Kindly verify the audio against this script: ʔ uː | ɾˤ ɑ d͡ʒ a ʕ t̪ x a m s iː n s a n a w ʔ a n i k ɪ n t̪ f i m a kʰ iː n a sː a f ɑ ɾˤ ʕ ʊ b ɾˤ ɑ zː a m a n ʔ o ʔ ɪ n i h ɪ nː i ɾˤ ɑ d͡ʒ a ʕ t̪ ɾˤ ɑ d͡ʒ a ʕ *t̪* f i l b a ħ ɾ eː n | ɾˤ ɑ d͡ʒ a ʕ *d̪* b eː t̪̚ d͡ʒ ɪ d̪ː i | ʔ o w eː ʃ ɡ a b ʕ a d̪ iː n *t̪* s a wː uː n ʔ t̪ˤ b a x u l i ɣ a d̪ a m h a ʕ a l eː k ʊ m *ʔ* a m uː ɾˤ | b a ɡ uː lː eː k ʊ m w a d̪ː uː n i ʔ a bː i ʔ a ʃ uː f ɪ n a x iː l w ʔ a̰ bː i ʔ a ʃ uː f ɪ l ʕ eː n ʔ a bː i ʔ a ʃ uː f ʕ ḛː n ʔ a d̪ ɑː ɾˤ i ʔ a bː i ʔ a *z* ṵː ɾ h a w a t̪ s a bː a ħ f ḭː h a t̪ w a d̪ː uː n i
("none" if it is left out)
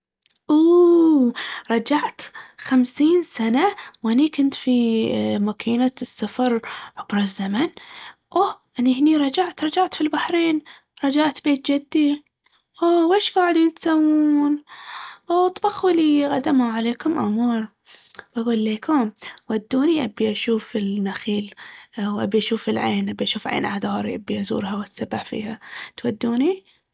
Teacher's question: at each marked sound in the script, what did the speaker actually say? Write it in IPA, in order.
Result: t̪, t̪, t̪, ʔ, z

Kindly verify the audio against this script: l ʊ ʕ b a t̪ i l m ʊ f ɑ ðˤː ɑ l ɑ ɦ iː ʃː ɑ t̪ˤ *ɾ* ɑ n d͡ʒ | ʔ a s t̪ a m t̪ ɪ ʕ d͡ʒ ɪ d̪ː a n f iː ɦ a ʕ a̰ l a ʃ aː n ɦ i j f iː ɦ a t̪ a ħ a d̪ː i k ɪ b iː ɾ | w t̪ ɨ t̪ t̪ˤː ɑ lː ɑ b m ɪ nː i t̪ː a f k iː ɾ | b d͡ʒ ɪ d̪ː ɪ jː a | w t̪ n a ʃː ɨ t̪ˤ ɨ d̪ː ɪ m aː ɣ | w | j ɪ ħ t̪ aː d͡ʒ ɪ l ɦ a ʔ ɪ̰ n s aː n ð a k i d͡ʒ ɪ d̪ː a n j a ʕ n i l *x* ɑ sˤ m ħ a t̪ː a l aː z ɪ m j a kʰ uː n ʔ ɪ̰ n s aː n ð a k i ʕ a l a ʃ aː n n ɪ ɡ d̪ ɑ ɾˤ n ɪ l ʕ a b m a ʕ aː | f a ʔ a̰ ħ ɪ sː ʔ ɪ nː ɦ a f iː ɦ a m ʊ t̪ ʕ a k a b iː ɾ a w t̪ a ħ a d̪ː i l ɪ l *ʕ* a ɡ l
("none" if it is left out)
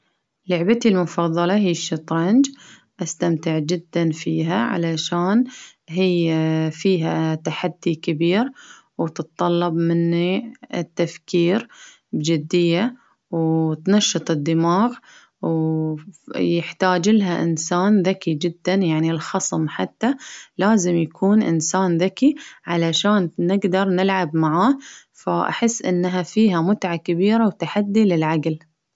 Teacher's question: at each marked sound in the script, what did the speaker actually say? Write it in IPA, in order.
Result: ɾ, x, ʕ

